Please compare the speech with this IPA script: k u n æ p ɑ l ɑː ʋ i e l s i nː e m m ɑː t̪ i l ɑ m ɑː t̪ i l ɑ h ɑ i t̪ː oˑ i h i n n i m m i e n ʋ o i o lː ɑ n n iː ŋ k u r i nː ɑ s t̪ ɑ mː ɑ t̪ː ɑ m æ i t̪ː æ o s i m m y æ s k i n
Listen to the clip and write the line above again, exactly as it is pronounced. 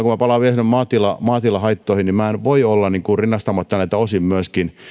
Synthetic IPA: k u m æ p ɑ l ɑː ʋ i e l s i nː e m m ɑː t̪ i l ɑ m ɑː t̪ i l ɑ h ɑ i t̪ː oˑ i h i n n i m m æ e n ʋ o i o lː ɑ n n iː ŋ k u r i nː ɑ s t̪ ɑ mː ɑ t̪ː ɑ n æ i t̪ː æ o s i m m y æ s k i n